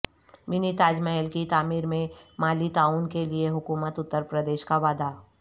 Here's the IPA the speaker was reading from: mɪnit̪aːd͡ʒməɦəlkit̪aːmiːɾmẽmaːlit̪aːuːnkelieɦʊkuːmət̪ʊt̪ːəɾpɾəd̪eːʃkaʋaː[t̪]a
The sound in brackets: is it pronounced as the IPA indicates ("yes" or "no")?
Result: no